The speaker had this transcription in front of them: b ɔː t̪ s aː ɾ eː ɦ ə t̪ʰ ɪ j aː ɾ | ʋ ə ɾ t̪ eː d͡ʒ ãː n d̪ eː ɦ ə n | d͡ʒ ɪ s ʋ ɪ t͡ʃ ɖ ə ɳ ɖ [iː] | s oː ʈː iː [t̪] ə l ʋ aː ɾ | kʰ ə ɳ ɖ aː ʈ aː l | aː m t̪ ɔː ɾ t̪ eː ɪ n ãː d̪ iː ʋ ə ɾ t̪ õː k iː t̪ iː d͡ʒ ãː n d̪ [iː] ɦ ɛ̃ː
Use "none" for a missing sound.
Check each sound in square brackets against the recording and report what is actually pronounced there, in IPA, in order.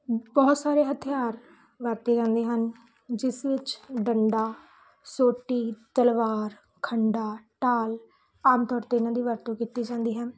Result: aː, t̪, iː

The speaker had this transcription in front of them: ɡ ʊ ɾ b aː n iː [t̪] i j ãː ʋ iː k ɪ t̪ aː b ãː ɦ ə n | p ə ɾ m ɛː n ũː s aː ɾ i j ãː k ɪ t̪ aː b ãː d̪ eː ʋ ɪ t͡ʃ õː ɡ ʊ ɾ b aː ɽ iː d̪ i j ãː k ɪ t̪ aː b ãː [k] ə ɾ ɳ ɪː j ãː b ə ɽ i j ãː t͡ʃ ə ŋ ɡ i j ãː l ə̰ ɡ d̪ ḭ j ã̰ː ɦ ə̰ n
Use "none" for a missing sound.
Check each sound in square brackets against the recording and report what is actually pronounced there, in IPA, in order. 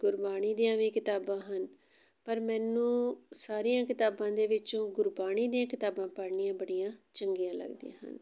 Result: d̪, p

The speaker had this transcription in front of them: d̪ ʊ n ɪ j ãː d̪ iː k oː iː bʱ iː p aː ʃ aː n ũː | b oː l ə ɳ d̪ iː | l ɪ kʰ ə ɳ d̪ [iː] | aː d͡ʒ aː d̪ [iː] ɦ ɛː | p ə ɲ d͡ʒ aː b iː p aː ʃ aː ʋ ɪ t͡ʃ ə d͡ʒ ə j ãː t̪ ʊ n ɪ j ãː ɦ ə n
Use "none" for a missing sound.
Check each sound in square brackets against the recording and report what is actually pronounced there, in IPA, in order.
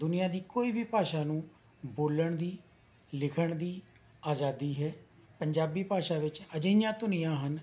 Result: iː, iː

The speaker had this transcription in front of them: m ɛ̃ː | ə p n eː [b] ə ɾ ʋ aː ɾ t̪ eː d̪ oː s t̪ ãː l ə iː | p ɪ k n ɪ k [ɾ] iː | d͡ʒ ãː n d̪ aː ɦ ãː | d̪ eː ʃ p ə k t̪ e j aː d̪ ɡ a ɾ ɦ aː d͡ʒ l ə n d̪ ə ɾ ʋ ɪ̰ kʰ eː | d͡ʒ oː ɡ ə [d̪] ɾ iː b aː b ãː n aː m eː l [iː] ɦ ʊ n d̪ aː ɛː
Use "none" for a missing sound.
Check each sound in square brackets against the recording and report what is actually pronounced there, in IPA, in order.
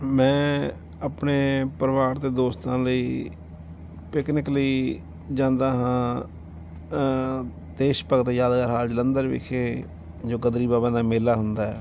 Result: p, l, d̪, aː

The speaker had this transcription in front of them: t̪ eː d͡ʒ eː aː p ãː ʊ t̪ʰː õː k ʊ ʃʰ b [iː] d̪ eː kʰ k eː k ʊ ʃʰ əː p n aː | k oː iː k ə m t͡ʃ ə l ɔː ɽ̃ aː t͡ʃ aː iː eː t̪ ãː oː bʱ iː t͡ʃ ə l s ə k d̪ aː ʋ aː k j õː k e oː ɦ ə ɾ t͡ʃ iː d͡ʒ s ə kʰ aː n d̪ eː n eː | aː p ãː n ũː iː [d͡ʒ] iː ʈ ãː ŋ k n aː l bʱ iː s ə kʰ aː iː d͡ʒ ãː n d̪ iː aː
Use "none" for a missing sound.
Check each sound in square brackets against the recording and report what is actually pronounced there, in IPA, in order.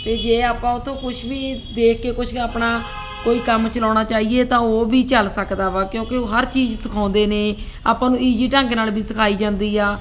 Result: iː, d͡ʒ

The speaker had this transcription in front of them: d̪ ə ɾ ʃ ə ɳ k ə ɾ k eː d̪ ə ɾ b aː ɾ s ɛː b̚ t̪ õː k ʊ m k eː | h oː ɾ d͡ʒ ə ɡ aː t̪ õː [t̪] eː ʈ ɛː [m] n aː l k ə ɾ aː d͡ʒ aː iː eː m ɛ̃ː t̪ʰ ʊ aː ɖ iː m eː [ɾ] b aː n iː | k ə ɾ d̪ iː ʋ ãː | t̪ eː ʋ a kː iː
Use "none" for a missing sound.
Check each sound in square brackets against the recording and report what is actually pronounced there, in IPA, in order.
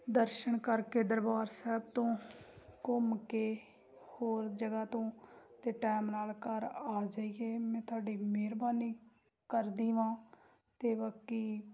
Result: t̪, m, ɾ

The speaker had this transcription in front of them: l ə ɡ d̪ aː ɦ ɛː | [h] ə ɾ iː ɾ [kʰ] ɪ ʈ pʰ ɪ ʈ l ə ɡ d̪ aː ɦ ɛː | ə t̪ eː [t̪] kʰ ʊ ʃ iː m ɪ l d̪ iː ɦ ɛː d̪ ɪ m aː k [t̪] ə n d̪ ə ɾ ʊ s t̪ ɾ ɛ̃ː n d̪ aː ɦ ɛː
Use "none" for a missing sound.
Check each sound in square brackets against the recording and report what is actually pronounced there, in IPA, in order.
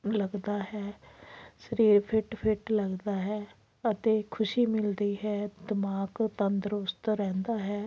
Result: s, pʰ, none, t̪

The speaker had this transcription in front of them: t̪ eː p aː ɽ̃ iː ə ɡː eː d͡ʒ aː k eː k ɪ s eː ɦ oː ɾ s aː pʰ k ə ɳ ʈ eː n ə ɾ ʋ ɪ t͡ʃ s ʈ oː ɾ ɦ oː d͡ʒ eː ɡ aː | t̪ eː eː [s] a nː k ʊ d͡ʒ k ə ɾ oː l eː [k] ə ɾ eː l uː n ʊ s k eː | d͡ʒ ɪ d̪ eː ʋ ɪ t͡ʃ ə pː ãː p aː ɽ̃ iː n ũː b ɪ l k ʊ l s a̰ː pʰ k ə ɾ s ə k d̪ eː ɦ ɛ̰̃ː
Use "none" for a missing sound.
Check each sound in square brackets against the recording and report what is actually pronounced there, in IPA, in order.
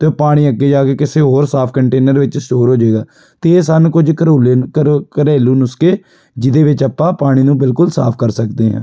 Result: s, k

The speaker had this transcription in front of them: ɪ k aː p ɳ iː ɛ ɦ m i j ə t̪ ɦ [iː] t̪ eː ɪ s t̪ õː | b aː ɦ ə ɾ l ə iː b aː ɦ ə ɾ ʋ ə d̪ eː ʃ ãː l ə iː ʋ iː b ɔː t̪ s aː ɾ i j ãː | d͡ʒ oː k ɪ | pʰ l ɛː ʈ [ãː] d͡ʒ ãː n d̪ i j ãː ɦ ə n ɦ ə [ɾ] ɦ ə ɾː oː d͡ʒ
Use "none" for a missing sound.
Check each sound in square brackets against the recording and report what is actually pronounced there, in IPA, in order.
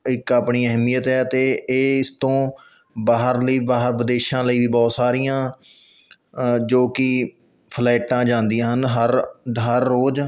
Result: ɛː, ãː, ɾ

